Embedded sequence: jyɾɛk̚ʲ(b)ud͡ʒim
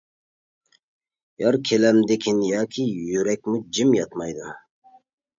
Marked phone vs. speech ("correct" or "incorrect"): incorrect